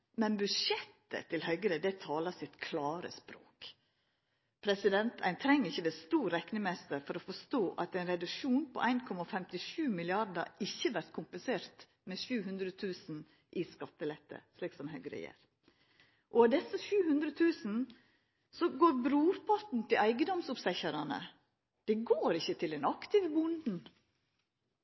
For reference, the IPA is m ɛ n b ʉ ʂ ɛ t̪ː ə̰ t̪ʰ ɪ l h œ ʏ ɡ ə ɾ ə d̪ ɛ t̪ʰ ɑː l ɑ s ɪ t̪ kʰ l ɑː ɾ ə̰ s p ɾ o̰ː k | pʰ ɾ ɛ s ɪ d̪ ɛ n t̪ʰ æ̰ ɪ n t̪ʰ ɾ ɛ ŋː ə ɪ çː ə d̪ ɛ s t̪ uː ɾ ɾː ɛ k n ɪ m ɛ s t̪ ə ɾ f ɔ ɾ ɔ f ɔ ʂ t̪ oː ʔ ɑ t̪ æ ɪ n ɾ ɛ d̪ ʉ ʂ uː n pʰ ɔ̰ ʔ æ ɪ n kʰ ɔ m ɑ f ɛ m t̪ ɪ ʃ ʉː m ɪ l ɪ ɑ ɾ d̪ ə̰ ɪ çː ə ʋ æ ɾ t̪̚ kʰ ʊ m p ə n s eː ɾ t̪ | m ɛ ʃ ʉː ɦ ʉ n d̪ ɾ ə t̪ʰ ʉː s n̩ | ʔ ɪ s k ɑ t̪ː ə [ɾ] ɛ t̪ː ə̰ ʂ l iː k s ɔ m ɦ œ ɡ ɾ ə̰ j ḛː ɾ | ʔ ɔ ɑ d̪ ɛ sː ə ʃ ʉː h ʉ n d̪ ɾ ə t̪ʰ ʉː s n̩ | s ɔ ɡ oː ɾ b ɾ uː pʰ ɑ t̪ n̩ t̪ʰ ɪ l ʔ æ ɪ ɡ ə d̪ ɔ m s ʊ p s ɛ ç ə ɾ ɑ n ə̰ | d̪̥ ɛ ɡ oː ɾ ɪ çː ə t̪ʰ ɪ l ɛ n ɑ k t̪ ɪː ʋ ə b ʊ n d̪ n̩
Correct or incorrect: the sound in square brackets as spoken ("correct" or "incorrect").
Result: incorrect